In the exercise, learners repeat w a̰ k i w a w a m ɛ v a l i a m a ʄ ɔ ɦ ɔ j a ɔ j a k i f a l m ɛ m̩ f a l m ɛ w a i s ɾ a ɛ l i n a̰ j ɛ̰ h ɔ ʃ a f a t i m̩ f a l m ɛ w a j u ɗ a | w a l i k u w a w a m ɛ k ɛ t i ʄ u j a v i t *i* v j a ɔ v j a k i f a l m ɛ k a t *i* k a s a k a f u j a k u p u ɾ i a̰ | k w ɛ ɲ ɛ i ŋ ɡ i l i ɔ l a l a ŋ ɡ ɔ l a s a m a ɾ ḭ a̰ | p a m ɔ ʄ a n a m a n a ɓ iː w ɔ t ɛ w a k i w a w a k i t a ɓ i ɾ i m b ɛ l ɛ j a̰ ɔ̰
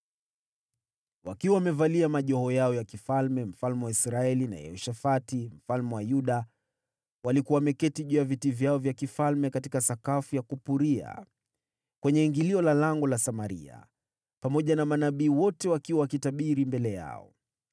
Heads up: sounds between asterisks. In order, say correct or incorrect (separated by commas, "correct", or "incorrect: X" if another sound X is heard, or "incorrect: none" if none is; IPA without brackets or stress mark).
correct, correct